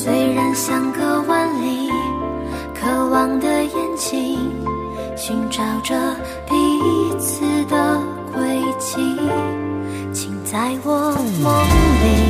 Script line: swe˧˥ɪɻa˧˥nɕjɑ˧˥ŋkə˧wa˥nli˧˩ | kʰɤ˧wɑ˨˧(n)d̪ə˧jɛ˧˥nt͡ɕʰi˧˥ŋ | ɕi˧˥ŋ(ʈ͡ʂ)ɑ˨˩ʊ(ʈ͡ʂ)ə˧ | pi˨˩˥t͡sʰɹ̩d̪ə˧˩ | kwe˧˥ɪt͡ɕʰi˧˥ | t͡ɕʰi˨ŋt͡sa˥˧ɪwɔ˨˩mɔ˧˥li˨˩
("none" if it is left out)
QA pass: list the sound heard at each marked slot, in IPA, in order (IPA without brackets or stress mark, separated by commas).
ŋ, ʈ͡ʂ, ʈ͡ʂ